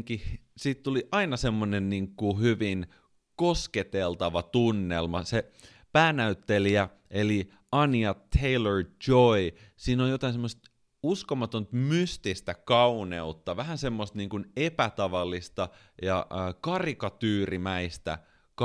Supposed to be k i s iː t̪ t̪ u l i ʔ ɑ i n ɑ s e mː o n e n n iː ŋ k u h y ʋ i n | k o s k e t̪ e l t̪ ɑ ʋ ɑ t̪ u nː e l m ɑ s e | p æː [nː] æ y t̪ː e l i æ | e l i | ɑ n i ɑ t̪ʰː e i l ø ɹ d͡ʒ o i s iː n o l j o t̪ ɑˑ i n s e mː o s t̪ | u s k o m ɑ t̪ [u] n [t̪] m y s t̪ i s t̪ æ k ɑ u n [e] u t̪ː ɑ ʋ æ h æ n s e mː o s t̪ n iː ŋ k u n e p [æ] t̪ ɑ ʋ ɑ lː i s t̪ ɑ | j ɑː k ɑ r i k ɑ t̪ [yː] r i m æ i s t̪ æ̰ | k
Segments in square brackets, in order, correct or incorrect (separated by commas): incorrect, incorrect, correct, correct, correct, correct